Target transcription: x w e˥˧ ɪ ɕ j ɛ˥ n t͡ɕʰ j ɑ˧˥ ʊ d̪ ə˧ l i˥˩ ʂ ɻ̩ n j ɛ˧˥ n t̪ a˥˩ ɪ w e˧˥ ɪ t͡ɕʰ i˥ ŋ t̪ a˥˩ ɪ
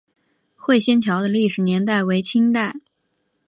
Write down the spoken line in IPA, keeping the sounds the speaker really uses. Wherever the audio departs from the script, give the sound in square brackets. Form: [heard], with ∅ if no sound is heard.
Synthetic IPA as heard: x w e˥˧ ɪ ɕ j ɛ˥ n t͡ɕʰ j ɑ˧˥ ʊ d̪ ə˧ l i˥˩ ʂ ɻ̩ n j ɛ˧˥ n t̪ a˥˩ ɪ w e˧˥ ɪ t͡ɕʰ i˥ ŋ t̪ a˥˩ ɪ